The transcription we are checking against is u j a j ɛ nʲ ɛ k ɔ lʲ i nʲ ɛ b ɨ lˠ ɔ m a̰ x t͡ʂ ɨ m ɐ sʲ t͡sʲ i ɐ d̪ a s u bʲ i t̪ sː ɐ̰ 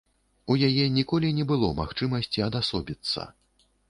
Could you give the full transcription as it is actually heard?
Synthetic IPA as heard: u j a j ɛ nʲ i k ɔ lʲ i nʲ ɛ b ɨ lˠ ɔ m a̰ x t͡ʂ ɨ m ɐ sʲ t͡sʲ i ɐ d̪ a s ɔ bʲ i t̪ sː ɐ̰